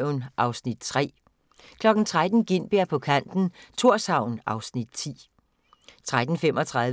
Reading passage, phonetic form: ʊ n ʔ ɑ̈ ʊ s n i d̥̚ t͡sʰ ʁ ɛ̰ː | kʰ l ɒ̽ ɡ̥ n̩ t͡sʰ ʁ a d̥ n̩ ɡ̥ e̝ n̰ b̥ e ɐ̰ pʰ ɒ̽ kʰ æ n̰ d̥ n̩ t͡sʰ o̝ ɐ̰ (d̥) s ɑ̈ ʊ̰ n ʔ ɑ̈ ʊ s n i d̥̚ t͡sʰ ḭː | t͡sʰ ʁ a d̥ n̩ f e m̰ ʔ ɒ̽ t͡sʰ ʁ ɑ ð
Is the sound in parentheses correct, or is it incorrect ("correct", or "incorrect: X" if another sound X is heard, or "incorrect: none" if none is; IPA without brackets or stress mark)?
incorrect: none